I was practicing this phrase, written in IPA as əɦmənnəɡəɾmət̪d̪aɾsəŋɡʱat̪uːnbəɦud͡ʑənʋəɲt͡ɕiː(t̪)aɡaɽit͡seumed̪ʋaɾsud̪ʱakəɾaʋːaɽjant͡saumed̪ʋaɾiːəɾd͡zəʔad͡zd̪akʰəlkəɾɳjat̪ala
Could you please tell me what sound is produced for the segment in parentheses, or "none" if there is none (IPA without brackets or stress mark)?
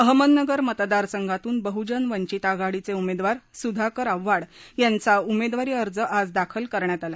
t̪